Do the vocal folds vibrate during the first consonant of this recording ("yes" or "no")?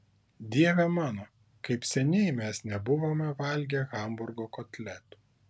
yes